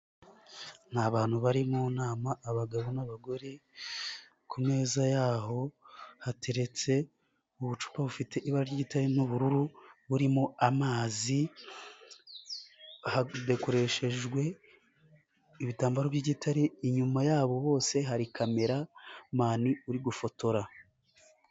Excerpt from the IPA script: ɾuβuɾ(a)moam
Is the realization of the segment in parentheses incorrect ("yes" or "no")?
yes